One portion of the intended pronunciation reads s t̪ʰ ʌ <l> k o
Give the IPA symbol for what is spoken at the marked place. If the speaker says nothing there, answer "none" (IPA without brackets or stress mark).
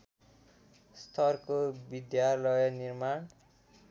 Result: r